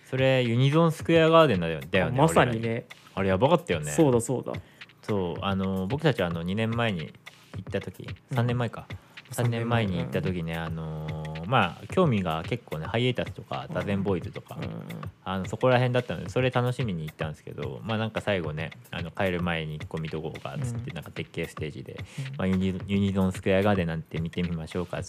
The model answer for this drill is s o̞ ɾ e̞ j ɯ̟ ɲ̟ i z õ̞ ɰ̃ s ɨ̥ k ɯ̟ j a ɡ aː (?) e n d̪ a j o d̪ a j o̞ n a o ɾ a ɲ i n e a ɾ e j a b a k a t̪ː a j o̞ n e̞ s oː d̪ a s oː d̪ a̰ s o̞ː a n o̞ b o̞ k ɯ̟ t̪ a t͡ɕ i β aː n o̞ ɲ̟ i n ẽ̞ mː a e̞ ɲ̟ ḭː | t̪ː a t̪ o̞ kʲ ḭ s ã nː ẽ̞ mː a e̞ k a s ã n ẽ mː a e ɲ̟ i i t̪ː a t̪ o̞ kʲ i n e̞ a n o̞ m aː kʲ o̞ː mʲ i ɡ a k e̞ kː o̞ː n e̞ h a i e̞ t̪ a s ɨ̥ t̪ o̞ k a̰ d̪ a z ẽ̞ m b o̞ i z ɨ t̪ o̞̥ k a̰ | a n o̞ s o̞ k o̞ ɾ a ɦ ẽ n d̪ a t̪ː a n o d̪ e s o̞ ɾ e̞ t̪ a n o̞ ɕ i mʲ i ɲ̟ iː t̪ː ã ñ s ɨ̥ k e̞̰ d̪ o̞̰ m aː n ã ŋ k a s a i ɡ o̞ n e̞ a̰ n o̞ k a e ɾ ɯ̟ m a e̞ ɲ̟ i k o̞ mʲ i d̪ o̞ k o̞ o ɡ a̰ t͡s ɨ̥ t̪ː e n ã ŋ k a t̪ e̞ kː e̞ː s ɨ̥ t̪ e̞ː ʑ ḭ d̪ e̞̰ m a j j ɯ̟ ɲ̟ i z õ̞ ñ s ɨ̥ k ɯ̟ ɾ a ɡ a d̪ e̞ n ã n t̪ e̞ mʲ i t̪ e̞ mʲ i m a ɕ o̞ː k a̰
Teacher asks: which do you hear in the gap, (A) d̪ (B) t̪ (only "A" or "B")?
A